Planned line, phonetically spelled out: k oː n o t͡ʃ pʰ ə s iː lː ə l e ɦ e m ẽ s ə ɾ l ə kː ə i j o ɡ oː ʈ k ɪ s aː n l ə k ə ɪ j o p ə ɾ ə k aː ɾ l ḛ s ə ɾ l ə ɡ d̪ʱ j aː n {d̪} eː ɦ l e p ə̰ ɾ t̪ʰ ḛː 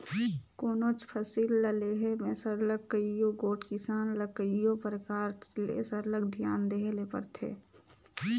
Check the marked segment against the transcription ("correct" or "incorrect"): correct